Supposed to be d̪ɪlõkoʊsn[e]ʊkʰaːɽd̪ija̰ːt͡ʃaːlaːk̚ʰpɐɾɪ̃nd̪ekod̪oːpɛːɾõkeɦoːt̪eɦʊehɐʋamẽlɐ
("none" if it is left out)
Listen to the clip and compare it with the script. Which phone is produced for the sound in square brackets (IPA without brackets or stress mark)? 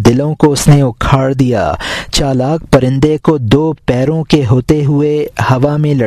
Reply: e